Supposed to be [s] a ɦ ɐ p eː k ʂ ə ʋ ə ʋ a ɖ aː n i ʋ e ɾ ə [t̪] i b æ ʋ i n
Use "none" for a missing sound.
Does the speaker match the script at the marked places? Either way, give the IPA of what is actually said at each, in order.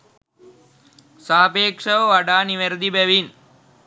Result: s, d̪

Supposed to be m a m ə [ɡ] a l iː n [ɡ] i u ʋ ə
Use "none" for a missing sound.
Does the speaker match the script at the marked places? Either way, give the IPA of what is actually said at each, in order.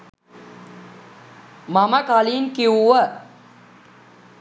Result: k, k

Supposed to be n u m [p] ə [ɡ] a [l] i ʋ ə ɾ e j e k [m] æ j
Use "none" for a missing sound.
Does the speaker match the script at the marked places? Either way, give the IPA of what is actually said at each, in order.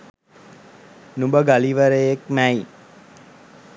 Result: b, ɡ, l, m

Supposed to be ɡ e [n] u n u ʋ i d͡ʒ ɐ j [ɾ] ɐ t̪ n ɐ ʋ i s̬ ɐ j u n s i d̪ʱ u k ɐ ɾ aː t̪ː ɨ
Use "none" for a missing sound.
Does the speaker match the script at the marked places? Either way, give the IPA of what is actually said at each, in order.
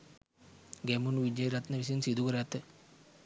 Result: m, ɾ

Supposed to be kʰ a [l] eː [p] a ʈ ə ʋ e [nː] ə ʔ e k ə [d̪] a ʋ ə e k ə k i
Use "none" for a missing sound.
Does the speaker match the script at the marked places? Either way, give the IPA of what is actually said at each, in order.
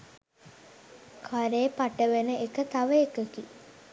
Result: ɾ, p, n, t̪

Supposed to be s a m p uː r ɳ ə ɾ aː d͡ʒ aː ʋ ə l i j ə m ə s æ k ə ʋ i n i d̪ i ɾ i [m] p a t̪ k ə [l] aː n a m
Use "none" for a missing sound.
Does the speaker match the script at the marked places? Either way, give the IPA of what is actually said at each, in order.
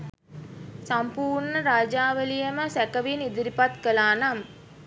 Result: none, l

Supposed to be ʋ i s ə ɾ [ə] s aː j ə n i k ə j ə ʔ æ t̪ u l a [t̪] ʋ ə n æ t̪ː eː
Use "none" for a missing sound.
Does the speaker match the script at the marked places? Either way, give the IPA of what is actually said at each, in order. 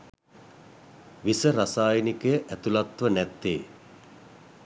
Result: a, t̪

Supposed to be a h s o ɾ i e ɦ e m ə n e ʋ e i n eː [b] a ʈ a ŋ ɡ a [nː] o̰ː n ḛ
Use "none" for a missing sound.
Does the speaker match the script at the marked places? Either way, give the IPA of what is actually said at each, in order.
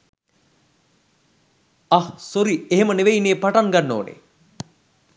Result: p, nː

